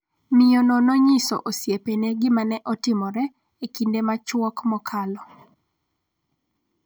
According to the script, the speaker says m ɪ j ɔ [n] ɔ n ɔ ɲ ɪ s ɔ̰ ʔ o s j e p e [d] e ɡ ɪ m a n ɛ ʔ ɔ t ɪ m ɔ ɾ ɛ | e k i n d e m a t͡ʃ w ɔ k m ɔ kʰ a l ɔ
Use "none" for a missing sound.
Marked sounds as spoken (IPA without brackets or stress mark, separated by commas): n, n